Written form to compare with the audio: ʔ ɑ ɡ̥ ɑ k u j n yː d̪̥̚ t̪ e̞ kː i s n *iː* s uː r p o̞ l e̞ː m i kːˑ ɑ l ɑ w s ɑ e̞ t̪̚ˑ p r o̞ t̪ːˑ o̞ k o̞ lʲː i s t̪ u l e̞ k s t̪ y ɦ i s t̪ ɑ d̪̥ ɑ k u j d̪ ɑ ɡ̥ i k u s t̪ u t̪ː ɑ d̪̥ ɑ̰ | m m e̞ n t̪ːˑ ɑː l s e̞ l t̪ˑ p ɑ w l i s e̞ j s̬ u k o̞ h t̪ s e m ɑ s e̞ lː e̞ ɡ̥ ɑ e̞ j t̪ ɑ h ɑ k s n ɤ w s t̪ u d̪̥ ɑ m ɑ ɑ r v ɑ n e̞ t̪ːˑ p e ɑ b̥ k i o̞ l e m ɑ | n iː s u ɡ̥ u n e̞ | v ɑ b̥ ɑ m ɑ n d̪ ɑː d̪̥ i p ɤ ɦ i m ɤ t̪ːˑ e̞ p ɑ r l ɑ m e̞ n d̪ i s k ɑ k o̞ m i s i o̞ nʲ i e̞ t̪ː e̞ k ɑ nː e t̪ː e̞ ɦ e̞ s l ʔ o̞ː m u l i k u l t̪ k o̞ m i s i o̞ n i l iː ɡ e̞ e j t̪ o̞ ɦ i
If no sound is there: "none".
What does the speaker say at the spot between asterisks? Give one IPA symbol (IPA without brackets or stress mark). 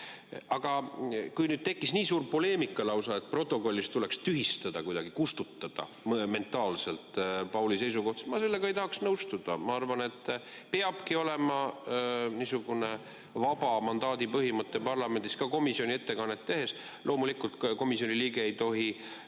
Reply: iː